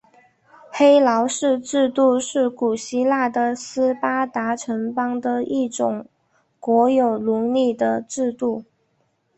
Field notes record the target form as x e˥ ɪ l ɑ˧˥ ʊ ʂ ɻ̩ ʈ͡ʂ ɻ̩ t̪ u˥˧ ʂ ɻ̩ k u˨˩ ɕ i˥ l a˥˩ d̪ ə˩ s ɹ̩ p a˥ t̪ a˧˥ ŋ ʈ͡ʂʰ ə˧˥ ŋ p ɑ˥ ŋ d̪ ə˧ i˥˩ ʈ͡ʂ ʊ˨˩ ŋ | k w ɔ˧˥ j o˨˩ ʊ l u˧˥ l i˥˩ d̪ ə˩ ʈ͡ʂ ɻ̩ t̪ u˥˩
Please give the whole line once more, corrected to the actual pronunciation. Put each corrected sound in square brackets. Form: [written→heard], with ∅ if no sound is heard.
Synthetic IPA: x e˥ ɪ l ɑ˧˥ ʊ ʂ ɻ̩ ʈ͡ʂ ɻ̩ t̪ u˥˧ ʂ ɻ̩ k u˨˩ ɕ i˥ l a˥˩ d̪ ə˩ s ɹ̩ p a˥ t̪ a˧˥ [ŋ→∅] ʈ͡ʂʰ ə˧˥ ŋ p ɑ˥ ŋ d̪ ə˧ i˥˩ ʈ͡ʂ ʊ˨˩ ŋ | k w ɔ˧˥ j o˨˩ ʊ l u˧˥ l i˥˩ d̪ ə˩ ʈ͡ʂ ɻ̩ t̪ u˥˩